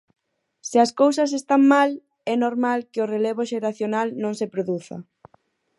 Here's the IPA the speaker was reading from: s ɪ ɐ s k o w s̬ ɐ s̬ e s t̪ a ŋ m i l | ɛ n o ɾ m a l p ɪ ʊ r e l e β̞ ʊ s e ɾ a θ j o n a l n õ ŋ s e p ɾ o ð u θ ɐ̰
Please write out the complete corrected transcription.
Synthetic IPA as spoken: s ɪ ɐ s k o w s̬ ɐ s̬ e s t̪ a ŋ m a l | ɛ n o ɾ m a l k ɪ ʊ r e l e β̞ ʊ ʃ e ɾ a θ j o n a l n õ ŋ s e p ɾ o ð u θ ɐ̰

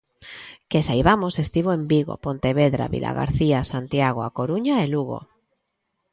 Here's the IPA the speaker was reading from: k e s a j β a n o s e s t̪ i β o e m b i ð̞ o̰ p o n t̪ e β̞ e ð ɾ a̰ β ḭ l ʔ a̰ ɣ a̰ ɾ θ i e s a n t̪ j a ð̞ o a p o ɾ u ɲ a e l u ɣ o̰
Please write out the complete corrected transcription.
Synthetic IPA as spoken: k e s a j β a m o s e s t̪ i β o e m b i ɣ̞ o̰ p o n t̪ e β̞ e ð ɾ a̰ β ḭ l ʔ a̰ ɣ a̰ ɾ θ i a s a n t̪ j a ɣ̞ o a k o ɾ u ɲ a e l u ɣ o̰

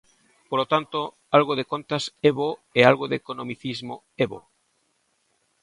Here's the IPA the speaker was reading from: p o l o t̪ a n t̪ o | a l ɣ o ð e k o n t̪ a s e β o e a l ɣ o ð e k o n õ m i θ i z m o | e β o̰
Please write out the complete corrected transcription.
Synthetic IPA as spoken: p o l o t̪ a n t̪ o | a l ɣ o ð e k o n t̪ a s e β o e a l ɣ o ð e k o n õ m i θ i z m o | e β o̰

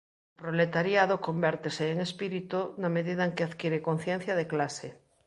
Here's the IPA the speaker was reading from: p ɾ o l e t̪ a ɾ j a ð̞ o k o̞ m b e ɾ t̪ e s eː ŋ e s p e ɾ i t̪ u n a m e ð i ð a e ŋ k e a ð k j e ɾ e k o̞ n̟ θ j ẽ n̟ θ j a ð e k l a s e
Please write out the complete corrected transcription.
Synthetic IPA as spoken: p ɾ o l e t̪ a ɾ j a ð̞ o k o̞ m b e ɾ t̪ e s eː ŋ e s p i ɾ i t̪ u n a m e ð i ð a e ŋ k e a ð k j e ɾ e k o̞ n̟ θ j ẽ n̟ θ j a ð e k l a s e

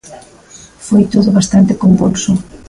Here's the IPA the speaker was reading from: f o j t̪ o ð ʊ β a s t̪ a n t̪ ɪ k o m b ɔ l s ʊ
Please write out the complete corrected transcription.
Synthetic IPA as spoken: f o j t̪ o ð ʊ β a s t̪ a n t̪ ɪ k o m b u l s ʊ

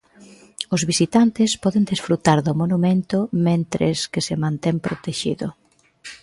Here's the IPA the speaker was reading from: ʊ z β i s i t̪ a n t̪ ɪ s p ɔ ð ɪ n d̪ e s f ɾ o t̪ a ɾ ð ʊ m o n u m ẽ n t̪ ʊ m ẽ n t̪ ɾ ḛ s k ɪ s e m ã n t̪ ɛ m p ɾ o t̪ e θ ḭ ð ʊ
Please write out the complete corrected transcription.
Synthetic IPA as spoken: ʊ z β i s i t̪ a n t̪ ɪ s p ɔ ð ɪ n d̪ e s f ɾ u t̪ a ɾ ð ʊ m o n u m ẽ n t̪ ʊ m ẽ n t̪ ɾ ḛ s k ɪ s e m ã n t̪ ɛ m p ɾ o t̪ e ʃ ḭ ð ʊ

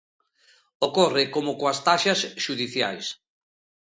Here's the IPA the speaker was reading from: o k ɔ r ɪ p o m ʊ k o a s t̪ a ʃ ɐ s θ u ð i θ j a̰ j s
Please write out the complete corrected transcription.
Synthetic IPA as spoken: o k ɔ r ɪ k o m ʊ k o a s t̪ a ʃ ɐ s ʃ u ð i θ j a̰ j s

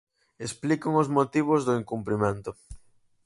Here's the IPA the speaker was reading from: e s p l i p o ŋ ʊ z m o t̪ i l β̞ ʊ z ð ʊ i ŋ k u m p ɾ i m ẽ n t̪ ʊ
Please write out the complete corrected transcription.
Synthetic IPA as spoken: e s p l i k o ŋ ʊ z m o t̪ i β̞ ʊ z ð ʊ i ŋ k u m p ɾ i m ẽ n t̪ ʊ

